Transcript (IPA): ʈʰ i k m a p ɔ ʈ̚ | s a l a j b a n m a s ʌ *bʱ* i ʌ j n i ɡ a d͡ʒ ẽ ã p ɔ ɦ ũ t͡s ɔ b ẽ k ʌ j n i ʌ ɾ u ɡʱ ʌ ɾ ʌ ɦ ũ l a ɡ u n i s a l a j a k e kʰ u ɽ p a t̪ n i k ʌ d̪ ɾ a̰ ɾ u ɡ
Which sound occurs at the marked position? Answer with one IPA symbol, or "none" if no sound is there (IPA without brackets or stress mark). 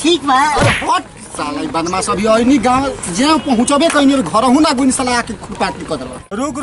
bʱ